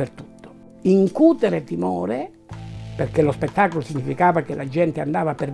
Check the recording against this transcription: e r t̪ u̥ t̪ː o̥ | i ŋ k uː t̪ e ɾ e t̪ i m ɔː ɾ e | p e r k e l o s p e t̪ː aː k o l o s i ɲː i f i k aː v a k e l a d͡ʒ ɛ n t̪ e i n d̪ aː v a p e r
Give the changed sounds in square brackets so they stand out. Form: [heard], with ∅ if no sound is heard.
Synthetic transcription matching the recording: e r t̪ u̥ t̪ː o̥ | i ŋ k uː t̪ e ɾ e t̪ i m ɔː ɾ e | p e r k e l o s p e t̪ː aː k o l o s i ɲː i f i k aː v a k e l a d͡ʒ ɛ n t̪ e [a] n d̪ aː v a p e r